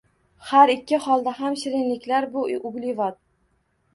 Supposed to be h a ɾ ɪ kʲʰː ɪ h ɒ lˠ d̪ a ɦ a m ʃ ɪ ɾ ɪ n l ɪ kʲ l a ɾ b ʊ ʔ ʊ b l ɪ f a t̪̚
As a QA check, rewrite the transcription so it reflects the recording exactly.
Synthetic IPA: h a ɾ ɪ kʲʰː ɪ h ɒ lˠ d̪ a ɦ a m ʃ ɪ ɾ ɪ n l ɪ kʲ l a ɾ b ʊ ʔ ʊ b l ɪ v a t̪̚